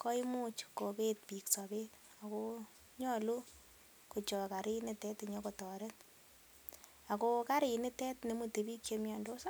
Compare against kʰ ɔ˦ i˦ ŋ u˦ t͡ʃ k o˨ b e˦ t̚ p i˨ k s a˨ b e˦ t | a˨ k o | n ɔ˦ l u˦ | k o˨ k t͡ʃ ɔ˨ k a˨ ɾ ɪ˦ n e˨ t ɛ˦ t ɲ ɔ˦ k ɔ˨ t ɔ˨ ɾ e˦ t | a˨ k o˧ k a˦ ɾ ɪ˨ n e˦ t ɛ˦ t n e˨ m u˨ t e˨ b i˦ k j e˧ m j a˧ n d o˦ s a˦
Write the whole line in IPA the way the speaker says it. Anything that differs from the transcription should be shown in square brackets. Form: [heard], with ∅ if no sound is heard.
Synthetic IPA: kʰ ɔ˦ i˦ [m] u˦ t͡ʃ k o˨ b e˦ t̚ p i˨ k s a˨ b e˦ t | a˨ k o | [ɲ] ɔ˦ l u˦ | k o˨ [∅] t͡ʃ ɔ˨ k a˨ ɾ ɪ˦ n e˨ t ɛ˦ t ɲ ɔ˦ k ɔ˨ t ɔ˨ ɾ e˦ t | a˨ k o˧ k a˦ ɾ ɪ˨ n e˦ t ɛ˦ t n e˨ m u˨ t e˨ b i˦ k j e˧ m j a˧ n d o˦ s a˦